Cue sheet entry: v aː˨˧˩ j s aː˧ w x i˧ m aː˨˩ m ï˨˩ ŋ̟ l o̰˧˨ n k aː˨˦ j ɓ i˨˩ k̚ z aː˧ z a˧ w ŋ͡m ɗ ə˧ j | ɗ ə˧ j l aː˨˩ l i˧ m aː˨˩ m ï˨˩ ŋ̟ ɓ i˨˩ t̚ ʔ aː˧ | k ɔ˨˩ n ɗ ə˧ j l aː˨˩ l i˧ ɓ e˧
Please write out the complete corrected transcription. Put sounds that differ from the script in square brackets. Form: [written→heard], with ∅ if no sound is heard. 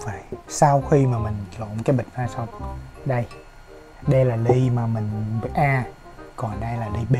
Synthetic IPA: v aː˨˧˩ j s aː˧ w x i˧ m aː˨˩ m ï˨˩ ŋ̟ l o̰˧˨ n k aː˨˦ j ɓ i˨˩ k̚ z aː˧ [z→s] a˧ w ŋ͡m ɗ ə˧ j | ɗ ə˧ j l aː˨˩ l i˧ m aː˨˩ m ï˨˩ ŋ̟ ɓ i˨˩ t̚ ʔ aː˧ | k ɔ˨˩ n ɗ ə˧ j l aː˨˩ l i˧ ɓ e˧